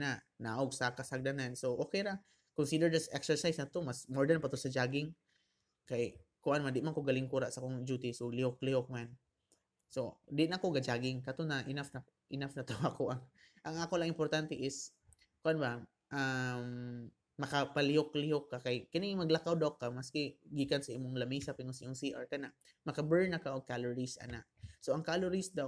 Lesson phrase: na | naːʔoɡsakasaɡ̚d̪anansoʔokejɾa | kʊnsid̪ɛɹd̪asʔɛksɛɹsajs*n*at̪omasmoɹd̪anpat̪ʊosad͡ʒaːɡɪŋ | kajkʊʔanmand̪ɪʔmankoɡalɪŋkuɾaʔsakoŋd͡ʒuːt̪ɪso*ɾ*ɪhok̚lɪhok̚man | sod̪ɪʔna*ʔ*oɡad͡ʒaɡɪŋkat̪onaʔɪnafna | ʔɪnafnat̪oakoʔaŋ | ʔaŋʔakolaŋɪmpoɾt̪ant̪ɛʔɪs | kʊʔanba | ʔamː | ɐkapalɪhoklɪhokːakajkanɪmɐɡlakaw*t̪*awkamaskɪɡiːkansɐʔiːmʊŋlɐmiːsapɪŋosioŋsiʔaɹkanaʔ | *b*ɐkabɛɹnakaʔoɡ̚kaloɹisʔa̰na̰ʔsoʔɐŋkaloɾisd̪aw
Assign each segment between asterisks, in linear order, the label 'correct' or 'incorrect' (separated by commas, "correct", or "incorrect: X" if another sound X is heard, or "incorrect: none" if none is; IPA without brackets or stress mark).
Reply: correct, incorrect: l, incorrect: k, incorrect: d̪, incorrect: m